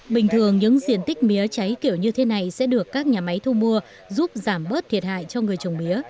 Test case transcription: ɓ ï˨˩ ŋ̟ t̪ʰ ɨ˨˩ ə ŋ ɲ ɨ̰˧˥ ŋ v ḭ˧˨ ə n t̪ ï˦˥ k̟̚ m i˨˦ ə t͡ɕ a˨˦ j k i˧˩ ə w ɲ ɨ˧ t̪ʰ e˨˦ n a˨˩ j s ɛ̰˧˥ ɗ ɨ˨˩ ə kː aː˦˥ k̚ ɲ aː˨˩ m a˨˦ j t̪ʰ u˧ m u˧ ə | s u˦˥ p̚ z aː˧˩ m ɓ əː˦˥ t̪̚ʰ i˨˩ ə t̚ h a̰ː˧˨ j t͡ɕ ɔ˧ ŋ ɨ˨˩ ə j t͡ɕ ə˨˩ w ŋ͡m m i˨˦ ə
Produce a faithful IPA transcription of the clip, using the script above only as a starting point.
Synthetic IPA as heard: ɓ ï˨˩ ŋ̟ t̪ʰ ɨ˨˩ ə ŋ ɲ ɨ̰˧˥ ŋ z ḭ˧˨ ə n t̪ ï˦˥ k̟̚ m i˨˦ ə t͡ɕ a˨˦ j k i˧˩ ə w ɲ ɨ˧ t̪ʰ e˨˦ n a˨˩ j s ɛ̰˧˥ ɗ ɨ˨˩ ə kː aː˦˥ k̚ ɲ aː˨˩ m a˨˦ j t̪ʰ u˧ m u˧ ə | z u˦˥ p̚ z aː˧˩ m ɓ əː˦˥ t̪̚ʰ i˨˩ ə t̚ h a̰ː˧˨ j t͡ɕ ɔ˧ ŋ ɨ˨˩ ə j t͡ɕ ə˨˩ w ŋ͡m m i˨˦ ə